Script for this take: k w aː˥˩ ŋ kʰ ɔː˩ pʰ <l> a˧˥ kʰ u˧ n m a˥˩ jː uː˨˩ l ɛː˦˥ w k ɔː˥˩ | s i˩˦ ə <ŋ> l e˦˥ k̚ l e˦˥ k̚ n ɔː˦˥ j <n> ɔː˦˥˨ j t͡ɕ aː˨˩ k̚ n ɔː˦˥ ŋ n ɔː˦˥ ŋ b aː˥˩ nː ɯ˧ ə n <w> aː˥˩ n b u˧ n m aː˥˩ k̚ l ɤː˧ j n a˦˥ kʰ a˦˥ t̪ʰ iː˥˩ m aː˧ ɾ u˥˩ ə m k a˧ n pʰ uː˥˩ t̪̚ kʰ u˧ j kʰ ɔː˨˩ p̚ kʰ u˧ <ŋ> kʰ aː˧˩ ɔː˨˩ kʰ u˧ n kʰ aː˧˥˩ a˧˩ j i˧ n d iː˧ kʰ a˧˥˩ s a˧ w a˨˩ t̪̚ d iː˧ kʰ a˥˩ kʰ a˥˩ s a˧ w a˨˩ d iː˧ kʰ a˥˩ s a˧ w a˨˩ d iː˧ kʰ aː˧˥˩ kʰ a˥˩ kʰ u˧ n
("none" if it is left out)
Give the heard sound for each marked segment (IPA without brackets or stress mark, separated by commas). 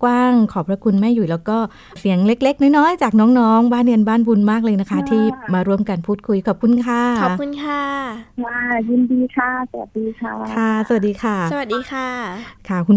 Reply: ɾ, ŋ, n, b, n